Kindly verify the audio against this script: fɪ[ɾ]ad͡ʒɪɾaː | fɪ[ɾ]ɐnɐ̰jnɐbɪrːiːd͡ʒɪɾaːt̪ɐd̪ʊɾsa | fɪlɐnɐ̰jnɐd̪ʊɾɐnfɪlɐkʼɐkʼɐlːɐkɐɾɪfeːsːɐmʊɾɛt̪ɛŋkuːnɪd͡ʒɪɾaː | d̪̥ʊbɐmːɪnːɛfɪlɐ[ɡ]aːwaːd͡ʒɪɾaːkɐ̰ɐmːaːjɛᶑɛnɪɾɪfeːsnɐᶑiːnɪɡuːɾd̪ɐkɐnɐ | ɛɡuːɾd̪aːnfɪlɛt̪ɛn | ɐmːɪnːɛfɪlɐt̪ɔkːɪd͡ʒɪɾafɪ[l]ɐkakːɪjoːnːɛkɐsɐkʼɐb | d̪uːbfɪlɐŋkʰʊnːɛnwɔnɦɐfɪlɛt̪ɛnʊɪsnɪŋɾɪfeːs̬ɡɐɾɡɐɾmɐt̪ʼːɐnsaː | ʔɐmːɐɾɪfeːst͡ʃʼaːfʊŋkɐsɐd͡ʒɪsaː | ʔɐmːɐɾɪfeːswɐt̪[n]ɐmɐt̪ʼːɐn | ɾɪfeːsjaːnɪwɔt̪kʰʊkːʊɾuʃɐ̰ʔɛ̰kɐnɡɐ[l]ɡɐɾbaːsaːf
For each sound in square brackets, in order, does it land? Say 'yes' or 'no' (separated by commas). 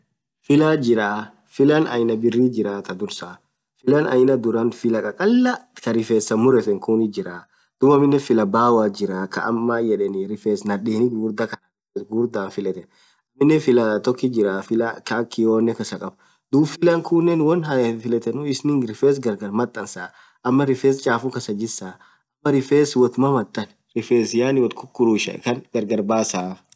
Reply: no, no, no, yes, no, no